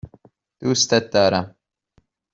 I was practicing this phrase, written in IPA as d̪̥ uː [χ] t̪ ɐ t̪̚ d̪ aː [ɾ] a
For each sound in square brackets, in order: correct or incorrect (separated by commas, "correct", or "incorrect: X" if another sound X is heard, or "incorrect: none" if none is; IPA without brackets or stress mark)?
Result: incorrect: s, correct